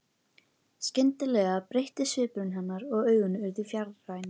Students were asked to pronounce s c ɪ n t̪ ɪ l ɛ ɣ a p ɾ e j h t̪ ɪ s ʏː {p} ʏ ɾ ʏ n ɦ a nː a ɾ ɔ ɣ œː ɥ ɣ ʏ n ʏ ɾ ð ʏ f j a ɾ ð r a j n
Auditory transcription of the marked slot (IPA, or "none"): p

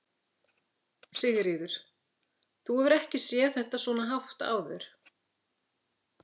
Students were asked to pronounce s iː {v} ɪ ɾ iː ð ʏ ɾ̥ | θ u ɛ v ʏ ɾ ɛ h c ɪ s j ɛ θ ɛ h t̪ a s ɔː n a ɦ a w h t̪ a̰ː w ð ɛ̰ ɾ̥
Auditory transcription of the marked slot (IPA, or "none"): ɣ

